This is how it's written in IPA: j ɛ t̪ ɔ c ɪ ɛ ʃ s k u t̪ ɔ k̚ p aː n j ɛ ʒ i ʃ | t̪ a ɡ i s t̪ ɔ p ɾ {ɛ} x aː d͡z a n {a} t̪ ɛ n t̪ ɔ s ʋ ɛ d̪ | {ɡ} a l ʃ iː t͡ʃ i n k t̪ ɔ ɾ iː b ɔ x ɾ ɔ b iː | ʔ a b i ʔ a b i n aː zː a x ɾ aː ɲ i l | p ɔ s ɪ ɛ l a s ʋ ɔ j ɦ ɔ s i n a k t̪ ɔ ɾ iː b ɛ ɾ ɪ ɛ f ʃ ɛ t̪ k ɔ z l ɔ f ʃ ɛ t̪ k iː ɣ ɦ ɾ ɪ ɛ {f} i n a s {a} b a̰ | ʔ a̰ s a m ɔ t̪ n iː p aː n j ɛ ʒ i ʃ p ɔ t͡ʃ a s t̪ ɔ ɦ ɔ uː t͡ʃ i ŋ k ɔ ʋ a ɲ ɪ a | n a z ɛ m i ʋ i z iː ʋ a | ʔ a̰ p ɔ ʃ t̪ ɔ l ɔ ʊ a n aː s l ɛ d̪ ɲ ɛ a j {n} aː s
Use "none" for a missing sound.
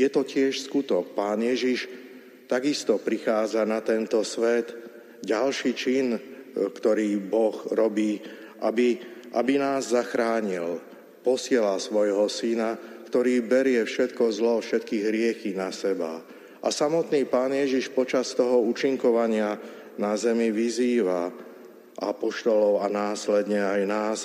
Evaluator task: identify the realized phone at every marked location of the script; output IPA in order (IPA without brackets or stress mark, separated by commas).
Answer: i, a, ɟ, x, ɛ, n